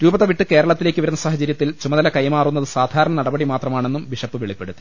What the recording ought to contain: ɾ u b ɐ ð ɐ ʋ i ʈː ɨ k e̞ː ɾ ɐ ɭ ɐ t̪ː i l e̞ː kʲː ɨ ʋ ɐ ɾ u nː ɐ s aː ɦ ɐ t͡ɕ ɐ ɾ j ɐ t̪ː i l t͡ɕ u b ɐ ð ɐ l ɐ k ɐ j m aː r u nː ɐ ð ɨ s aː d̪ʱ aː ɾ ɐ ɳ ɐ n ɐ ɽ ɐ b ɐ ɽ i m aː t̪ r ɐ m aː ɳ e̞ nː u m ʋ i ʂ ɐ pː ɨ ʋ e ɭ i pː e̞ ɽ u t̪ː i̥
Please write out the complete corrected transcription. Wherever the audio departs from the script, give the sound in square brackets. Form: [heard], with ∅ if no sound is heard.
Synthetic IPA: ɾ [uː] b ɐ ð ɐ ʋ i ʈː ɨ k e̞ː ɾ ɐ ɭ ɐ t̪ː i l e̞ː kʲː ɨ ʋ ɐ ɾ u nː ɐ s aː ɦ ɐ t͡ɕ ɐ ɾ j ɐ t̪ː i l t͡ɕ u [m] ɐ ð ɐ l ɐ k ɐ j m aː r u nː ɐ ð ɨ s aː d̪ʱ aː ɾ ɐ ɳ ɐ n ɐ ɽ ɐ b ɐ ɽ i m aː t̪ r ɐ m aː ɳ e̞ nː u m ʋ i ʂ ɐ pː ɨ ʋ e ɭ i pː e̞ ɽ u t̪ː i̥